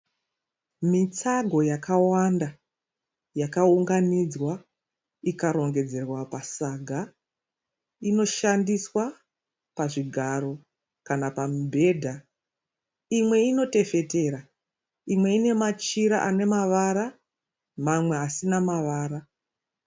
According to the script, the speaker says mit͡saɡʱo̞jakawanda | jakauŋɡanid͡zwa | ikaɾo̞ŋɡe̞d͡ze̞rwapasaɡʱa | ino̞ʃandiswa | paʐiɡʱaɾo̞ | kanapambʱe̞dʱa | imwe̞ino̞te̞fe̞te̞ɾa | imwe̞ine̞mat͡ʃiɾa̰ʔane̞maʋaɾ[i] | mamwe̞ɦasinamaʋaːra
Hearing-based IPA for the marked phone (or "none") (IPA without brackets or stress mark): a